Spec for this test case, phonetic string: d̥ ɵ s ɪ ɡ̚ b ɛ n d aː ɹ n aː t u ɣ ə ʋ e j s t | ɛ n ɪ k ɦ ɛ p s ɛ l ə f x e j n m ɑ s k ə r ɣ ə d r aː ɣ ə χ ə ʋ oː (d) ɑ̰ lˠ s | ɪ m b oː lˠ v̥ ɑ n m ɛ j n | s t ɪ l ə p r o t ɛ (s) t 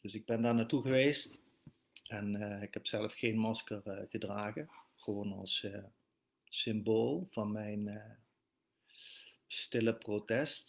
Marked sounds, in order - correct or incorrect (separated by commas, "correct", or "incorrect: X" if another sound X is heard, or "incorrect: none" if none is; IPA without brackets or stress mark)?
incorrect: n, correct